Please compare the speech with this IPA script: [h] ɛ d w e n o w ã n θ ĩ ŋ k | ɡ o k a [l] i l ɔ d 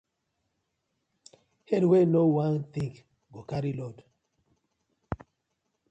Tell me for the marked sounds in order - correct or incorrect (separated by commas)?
correct, incorrect